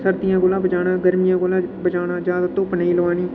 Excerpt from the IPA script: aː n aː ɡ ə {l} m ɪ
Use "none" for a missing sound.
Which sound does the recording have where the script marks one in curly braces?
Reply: ɾ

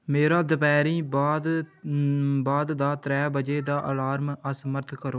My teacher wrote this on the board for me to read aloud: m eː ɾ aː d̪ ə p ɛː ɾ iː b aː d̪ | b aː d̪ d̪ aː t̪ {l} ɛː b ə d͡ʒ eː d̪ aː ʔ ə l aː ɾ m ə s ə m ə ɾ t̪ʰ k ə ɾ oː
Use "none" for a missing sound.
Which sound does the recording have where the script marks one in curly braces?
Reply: ɾ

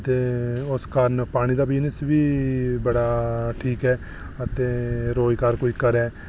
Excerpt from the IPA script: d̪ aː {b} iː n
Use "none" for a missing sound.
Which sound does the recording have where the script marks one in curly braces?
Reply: b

